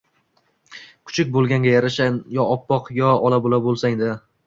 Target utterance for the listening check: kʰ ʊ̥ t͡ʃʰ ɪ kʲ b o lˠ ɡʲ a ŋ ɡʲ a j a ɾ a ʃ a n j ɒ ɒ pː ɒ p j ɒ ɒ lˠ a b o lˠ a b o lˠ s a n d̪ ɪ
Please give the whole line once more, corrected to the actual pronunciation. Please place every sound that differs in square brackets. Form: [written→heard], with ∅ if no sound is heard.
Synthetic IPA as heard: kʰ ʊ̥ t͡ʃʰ ɪ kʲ b o lˠ ɡʲ a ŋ ɡʲ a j a ɾ a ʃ a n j ɒ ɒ pː ɒ [p→q] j ɒ ɒ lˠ a b o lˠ a b o lˠ s a [n→ŋ] d̪ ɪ